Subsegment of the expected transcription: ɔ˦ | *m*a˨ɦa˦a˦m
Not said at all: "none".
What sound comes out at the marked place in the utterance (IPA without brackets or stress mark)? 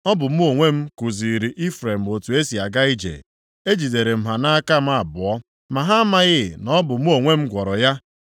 m